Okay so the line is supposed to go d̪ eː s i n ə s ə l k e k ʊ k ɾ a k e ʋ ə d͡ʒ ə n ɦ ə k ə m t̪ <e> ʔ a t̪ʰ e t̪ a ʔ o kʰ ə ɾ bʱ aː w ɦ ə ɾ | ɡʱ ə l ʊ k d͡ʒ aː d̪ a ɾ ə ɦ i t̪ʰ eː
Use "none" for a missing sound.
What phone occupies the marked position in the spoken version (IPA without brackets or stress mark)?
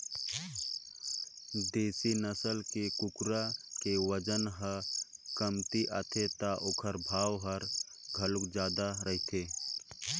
i